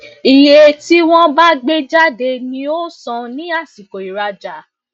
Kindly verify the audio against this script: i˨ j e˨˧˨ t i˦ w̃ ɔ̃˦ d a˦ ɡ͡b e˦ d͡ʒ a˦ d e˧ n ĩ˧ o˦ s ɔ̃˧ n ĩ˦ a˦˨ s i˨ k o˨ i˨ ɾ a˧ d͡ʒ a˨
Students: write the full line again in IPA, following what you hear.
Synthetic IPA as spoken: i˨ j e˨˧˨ t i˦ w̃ ɔ̃˦ b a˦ ɡ͡b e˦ d͡ʒ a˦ d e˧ n ĩ˧ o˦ s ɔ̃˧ n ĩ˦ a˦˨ s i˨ k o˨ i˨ ɾ a˧ d͡ʒ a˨